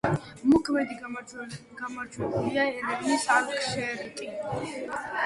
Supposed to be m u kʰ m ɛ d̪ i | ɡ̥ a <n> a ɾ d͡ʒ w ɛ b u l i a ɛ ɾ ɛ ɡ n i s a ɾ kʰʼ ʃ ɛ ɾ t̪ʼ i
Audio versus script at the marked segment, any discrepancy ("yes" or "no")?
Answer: yes